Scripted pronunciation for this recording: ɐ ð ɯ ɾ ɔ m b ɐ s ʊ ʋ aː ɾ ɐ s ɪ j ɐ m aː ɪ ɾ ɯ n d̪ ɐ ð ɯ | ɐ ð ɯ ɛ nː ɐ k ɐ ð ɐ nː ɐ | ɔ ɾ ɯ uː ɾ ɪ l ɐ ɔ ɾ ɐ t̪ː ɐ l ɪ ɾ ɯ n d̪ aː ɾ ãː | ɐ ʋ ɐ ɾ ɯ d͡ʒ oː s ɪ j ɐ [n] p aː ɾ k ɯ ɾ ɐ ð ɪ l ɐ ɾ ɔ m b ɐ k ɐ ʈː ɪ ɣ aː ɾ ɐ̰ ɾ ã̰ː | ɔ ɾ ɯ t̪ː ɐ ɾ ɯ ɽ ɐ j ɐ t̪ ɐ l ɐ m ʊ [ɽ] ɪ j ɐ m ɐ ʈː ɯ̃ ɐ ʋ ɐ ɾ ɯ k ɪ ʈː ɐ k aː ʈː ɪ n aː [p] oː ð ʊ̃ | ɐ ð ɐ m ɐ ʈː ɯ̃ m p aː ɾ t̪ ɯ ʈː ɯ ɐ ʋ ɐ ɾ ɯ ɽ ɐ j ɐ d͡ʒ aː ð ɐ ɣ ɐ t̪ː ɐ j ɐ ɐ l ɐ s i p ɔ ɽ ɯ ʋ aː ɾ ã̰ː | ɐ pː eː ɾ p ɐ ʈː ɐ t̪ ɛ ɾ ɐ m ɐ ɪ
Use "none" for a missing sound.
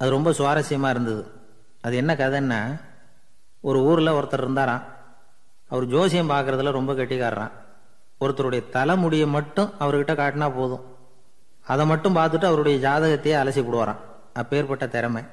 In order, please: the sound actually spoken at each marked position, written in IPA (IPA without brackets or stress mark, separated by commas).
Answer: m, ɽ, p